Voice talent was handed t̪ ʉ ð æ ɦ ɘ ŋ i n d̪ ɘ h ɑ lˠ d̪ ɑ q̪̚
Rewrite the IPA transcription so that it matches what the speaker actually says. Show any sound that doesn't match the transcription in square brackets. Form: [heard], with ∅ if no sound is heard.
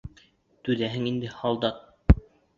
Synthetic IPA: t̪ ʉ ð æ ɦ ɘ ŋ i n d̪ ɘ h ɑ lˠ d̪ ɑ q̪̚